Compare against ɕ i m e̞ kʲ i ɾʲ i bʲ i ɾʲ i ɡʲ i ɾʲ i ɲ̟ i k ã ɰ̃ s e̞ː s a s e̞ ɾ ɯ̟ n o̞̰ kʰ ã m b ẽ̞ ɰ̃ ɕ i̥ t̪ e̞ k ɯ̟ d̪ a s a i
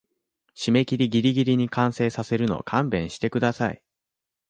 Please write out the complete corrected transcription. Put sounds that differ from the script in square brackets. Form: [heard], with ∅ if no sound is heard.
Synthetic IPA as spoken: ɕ i m e̞ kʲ i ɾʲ i [ɡʲ] i ɾʲ i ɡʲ i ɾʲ i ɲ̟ i k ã ɰ̃ s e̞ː s a s e̞ ɾ ɯ̟ n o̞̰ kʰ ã m b ẽ̞ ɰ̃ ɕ i̥ t̪ e̞ k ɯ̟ d̪ a s a i